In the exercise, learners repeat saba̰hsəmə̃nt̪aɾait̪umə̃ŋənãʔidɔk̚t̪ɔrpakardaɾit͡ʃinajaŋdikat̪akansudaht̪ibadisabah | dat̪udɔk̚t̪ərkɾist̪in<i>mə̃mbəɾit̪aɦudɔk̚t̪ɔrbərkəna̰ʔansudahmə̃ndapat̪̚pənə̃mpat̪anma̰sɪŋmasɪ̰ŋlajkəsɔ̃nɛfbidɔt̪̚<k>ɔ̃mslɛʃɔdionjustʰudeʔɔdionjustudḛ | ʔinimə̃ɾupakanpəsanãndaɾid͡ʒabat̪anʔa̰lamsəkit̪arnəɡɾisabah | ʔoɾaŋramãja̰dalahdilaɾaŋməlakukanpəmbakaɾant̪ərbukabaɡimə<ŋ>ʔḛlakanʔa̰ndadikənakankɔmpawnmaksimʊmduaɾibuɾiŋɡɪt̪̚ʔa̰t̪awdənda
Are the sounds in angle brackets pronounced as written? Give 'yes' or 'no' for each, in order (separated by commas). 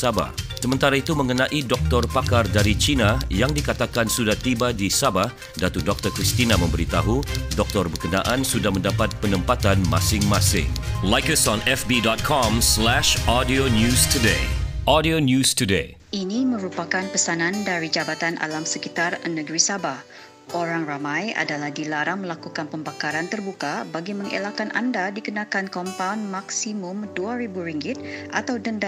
no, no, yes